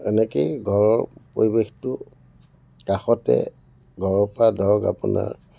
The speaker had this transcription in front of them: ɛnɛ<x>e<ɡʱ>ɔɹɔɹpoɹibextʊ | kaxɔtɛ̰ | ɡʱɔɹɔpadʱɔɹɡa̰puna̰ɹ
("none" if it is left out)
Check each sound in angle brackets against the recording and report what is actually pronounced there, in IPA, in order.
k, ɡʱ

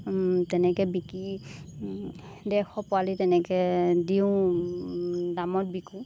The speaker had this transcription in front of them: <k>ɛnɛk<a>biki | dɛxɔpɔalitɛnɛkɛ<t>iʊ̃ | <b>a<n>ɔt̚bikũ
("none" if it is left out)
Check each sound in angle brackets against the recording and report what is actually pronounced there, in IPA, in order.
t, ɛ, d, d, m

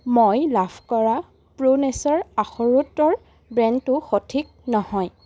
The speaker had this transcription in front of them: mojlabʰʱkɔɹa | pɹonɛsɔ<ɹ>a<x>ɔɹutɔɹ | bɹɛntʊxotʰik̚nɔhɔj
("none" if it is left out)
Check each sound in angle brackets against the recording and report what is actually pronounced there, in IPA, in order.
ɹ, x

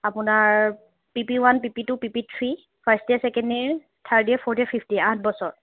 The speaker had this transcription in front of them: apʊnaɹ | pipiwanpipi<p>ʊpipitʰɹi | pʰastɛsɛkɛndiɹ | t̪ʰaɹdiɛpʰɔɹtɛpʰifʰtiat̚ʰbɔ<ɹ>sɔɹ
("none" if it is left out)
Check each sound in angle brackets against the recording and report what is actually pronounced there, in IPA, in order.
t, none

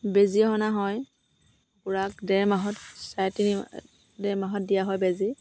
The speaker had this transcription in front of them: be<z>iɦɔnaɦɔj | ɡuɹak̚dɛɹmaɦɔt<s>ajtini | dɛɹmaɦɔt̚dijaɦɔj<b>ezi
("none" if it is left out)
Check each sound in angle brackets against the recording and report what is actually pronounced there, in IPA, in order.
z, s, b

